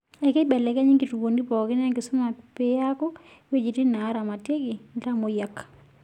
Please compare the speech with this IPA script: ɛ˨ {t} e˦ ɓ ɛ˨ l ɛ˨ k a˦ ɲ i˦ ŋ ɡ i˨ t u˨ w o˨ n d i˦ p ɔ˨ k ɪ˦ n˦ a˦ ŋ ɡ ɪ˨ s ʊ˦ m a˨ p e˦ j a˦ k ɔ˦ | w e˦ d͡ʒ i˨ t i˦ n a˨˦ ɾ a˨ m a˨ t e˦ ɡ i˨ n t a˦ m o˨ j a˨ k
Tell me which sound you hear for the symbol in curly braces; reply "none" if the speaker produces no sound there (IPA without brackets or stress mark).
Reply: k